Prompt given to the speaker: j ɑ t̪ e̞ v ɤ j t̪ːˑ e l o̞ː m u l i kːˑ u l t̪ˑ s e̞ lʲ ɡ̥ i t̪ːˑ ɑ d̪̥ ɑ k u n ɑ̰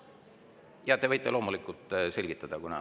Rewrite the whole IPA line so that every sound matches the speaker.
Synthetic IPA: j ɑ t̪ e̞ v ɤ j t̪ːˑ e l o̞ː m u l i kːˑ u l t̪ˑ s e̞ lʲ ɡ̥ i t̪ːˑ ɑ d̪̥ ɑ k u n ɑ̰